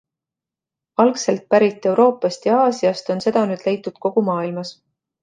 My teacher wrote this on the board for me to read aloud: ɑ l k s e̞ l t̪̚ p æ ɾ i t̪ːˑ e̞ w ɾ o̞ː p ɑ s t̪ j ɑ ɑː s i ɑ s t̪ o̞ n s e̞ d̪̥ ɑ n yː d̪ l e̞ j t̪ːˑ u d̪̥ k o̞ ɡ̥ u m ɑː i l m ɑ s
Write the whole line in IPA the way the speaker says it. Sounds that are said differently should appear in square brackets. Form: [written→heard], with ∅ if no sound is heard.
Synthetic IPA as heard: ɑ l k s e̞ l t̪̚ p æ ɾ i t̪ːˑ e̞ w ɾ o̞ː p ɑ s t̪ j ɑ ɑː s i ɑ s t̪ o̞ n s e̞ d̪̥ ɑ n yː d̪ l e̞ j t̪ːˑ u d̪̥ k o̞ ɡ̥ u m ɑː i l m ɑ s